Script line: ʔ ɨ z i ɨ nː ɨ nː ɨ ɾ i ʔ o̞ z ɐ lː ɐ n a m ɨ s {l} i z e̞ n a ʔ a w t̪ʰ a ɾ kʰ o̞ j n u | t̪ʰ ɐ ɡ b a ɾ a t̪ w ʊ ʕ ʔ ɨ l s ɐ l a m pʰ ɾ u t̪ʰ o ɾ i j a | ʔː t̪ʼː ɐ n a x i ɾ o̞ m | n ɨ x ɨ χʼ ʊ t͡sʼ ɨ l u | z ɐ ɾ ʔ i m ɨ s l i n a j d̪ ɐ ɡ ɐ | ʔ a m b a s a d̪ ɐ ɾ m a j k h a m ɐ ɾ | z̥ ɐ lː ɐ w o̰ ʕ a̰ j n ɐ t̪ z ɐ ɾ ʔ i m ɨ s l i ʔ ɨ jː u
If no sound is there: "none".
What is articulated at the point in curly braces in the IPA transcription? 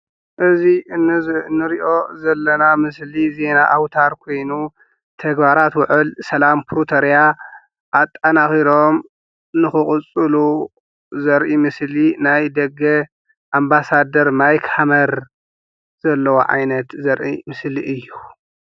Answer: l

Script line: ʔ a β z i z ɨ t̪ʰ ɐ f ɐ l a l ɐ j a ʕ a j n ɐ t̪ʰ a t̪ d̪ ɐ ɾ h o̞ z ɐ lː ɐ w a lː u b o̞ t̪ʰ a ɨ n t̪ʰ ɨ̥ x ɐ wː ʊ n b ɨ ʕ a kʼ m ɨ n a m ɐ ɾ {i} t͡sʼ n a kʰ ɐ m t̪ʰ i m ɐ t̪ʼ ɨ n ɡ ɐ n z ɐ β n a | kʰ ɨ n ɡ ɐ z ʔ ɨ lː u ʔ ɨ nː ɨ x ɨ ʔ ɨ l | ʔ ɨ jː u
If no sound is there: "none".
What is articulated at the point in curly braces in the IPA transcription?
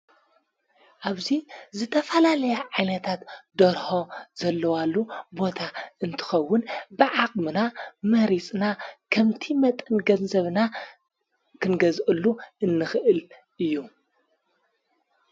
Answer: i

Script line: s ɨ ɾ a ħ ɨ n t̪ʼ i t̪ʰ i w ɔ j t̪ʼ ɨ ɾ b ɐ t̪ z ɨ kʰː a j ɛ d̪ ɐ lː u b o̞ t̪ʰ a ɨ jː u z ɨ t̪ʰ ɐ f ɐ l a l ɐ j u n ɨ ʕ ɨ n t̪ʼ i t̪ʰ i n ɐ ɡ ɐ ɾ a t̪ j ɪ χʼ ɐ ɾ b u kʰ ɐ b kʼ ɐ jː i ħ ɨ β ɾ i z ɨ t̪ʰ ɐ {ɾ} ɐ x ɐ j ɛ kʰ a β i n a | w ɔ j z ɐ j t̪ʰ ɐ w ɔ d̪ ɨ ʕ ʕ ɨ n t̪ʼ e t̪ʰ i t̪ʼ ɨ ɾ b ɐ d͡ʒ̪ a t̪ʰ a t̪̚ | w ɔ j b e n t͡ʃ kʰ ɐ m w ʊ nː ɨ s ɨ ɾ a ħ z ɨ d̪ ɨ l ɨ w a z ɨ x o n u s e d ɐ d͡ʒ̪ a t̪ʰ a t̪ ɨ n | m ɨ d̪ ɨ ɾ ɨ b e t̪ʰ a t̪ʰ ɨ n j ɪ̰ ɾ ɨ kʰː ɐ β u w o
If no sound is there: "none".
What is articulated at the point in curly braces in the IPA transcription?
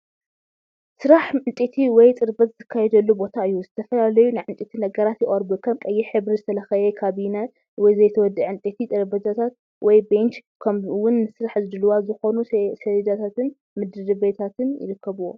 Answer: l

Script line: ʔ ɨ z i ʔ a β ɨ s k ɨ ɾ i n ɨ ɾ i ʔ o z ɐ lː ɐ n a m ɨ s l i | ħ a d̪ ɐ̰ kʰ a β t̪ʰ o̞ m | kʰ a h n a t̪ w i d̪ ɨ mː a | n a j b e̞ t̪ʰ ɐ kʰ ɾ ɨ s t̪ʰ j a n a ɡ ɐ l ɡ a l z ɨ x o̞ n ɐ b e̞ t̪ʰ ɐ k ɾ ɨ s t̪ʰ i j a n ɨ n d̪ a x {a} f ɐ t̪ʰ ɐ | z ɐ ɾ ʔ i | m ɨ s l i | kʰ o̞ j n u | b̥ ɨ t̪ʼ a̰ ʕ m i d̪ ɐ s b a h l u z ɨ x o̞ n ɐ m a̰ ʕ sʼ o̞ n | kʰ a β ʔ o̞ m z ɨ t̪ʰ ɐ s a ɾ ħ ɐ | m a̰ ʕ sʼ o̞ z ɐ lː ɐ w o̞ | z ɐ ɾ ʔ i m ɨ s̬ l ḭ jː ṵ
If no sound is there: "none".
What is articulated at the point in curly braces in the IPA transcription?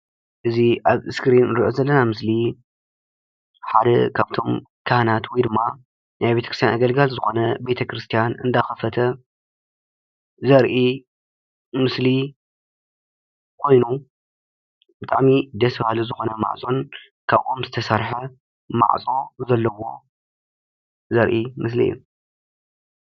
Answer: ɐ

